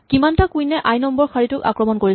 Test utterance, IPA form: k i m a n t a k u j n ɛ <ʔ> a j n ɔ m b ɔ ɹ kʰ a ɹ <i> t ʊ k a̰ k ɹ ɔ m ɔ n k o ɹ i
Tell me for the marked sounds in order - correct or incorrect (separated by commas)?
correct, correct